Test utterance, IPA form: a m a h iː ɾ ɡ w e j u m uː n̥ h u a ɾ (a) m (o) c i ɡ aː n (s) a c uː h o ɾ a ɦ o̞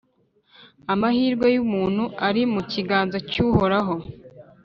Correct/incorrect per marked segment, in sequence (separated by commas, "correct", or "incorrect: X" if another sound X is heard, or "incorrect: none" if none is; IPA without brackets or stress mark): incorrect: i, incorrect: u, incorrect: z